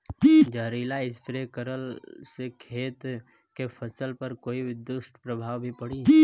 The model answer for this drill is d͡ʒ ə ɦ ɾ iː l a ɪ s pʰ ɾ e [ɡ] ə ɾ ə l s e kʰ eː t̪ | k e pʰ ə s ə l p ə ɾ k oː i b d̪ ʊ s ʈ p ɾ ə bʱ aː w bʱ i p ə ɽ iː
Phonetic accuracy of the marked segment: incorrect: k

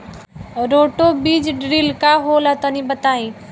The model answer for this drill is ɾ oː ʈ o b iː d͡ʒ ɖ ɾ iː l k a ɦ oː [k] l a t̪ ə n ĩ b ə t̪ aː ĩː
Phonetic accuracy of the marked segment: incorrect: none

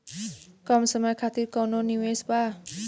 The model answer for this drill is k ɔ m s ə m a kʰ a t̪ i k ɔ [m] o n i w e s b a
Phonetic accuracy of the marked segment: incorrect: n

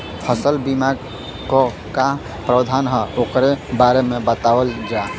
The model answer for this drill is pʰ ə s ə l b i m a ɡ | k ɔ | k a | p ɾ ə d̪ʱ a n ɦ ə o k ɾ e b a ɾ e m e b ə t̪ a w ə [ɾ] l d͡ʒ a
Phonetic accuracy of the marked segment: incorrect: none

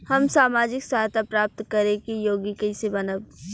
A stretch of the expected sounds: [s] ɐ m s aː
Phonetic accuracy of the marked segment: incorrect: h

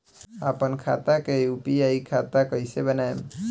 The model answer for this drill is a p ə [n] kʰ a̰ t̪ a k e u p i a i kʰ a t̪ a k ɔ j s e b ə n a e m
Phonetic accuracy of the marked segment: correct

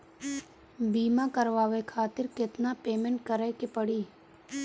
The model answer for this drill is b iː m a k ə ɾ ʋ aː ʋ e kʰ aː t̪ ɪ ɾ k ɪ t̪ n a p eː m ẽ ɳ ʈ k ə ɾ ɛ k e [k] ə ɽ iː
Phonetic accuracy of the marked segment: incorrect: p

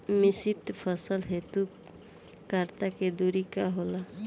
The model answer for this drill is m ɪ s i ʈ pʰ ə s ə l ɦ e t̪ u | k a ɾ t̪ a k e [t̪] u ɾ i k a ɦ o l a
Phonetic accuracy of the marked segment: incorrect: d̪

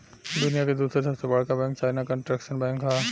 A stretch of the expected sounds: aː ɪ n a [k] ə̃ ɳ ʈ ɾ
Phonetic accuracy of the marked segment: correct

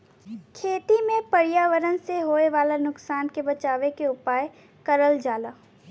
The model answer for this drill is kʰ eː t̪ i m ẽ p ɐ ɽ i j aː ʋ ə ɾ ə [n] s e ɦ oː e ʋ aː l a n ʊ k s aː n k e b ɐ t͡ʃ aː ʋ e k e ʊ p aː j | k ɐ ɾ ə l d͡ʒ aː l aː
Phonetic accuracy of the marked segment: correct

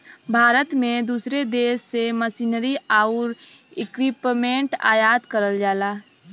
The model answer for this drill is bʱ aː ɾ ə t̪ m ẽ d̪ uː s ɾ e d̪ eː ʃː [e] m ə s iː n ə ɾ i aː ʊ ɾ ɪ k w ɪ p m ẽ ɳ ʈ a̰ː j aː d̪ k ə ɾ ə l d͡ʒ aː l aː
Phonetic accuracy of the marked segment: correct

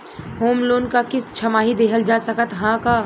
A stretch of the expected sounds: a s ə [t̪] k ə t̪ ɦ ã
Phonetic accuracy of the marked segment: incorrect: none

